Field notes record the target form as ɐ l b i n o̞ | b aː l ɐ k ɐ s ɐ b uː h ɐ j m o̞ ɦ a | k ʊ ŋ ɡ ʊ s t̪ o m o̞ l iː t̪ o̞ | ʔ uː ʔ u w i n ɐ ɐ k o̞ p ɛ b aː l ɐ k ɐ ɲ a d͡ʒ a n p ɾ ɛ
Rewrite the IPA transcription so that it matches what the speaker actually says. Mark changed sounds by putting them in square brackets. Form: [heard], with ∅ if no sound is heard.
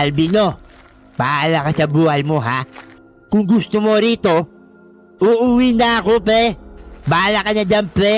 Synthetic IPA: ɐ l b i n o̞ | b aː l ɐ k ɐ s ɐ b uː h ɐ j m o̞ ɦ a | k ʊ ŋ ɡ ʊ s t̪ o m o̞ [ɾ] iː t̪ o̞ | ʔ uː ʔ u w i n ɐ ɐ k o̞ p ɛ b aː l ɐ k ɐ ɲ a d͡ʒ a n p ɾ ɛ